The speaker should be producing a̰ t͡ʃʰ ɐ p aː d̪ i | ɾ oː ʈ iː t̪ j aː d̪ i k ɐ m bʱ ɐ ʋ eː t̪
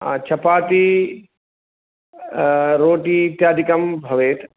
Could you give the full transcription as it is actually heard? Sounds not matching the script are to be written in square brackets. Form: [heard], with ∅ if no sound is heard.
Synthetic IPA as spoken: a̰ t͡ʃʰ ɐ p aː [t̪] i | ɾ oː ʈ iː t̪ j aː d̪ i k ɐ m bʱ ɐ ʋ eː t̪